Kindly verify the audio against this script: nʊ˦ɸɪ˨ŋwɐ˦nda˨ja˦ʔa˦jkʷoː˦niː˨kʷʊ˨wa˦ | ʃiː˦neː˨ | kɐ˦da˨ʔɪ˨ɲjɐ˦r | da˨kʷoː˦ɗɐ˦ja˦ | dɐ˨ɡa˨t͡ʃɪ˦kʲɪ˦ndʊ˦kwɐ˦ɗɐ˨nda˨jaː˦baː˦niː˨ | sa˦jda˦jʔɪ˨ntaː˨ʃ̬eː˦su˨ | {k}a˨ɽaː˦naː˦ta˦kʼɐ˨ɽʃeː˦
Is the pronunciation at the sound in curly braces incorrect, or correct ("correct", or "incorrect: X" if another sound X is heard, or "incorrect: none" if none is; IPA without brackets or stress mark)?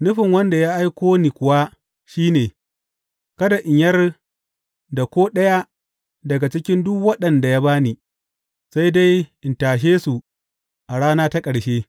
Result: incorrect: ʔ